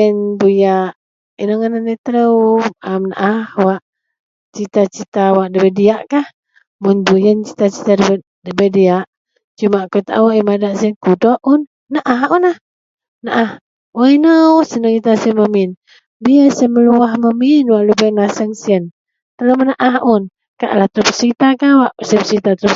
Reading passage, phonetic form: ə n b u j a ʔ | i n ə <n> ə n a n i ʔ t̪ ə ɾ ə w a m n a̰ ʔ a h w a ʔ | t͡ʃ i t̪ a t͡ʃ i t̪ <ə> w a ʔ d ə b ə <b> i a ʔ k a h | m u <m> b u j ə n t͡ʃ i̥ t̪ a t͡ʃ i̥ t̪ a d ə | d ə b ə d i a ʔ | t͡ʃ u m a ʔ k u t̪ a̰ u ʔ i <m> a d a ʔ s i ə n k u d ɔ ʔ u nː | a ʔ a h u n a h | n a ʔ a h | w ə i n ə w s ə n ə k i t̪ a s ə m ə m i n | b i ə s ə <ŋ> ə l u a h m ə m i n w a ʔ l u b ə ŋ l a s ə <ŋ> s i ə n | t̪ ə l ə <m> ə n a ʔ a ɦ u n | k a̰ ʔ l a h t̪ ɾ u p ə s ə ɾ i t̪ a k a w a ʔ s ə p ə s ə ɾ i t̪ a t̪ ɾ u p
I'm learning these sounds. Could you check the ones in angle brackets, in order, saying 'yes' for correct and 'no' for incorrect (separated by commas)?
no, no, no, no, yes, no, yes, yes